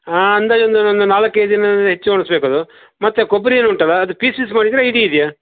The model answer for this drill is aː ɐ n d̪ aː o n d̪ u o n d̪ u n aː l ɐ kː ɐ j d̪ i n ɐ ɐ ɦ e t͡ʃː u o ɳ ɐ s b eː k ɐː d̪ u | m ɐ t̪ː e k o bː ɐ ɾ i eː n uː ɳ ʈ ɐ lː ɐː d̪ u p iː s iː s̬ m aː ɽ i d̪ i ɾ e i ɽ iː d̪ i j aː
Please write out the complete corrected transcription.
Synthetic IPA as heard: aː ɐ n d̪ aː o n d̪ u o n d̪ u n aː l ɐ kː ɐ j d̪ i n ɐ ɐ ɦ e t͡ʃː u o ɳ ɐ s b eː k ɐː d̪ u | m ɐ t̪ː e k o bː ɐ ɾ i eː n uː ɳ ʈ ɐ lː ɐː d̪ u p iː s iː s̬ m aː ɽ i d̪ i ɾ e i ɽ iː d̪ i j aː